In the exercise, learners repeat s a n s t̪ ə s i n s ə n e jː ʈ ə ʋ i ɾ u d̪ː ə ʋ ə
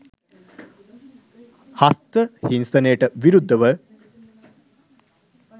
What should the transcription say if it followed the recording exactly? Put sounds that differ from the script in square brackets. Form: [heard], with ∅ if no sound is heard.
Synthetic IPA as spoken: [h] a [∅] s t̪ ə [h] i n s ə n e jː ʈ ə ʋ i ɾ u d̪ː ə ʋ ə